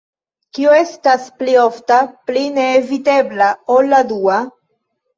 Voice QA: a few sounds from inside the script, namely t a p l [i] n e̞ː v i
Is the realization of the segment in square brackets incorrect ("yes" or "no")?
no